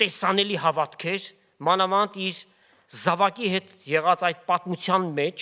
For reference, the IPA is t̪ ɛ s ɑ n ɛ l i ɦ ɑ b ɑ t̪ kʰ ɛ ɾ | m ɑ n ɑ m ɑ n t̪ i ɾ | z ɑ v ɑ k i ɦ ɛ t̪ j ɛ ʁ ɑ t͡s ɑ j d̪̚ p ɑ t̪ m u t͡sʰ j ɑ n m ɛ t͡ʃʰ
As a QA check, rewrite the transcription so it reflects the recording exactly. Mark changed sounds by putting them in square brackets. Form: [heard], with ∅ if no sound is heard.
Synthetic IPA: t̪ ɛ s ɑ n ɛ l i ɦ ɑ [v] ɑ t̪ kʰ ɛ ɾ | m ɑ n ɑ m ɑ n t̪ i ɾ | z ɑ v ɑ k i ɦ ɛ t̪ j ɛ ʁ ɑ t͡s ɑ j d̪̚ p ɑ t̪ m u t͡sʰ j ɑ n m ɛ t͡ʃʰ